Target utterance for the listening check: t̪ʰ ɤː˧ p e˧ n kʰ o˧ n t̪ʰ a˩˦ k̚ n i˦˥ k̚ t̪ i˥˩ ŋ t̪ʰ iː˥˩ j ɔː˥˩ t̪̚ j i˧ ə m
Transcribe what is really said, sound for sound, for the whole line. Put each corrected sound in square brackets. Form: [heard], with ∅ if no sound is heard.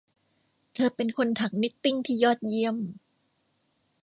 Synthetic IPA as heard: t̪ʰ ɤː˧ p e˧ n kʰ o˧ n t̪ʰ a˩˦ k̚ n i˦˥ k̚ t̪ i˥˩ ŋ t̪ʰ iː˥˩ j ɔː˥˩ t̪̚ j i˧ ə m